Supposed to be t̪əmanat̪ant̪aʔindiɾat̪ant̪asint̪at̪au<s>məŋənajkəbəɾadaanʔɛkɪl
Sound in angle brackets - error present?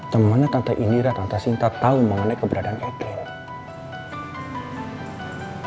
yes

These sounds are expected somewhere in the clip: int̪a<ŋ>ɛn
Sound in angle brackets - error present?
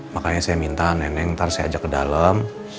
yes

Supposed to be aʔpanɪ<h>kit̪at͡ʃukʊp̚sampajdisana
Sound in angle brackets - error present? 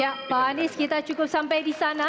yes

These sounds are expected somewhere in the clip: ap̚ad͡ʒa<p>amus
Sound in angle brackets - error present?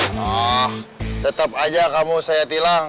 yes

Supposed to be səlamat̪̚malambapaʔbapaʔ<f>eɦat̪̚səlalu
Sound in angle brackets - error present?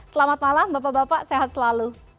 yes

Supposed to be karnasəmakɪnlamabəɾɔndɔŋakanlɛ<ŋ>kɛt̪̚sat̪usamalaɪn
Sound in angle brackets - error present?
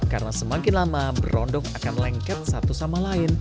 no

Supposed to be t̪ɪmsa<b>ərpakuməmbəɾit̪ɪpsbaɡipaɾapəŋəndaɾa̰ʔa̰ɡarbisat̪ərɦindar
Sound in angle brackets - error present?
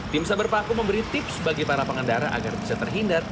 no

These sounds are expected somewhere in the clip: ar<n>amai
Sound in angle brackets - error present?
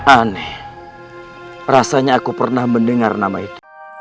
no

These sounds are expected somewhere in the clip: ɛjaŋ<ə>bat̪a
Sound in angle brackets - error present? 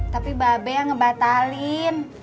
no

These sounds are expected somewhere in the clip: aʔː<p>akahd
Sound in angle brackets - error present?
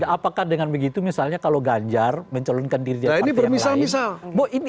no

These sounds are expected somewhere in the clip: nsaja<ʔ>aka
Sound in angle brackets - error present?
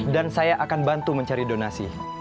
no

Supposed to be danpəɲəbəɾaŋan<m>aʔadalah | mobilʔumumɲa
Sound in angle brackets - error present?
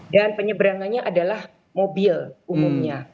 yes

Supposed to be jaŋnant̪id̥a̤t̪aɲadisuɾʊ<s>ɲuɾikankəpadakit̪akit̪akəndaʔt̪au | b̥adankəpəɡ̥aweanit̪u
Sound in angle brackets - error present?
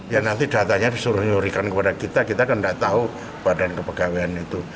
yes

